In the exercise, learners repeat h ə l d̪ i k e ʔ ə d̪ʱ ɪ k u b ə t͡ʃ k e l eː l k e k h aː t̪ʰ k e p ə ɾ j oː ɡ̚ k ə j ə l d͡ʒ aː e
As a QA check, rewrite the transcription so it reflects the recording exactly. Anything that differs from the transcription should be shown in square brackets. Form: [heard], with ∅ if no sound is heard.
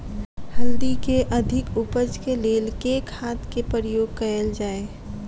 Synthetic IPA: h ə l d̪ i k e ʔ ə d̪ʱ ɪ k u [p] ə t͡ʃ k e l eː l k e k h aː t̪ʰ k e p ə ɾ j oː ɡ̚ k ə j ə l d͡ʒ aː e